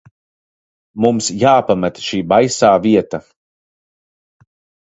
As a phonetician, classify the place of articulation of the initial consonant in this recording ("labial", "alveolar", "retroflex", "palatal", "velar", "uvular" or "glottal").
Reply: labial